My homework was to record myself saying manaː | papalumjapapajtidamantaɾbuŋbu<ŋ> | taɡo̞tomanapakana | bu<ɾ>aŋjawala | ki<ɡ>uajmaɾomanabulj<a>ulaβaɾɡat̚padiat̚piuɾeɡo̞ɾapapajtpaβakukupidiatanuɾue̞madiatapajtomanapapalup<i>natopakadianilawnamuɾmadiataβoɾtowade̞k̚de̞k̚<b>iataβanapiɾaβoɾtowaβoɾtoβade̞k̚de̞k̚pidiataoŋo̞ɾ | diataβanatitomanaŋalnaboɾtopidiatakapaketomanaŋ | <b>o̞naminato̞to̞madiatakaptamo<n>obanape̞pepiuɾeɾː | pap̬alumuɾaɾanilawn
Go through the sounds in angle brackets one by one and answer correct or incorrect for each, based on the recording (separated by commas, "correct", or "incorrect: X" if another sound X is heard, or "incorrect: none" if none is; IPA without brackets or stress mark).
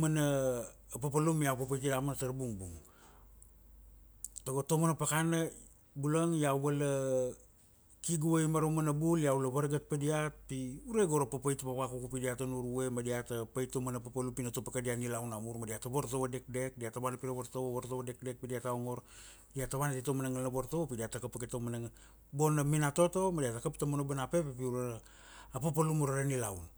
correct, incorrect: l, correct, correct, correct, incorrect: d, correct, correct